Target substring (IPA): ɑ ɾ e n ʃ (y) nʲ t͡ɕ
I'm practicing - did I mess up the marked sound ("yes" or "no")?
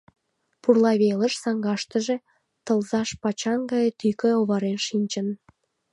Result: yes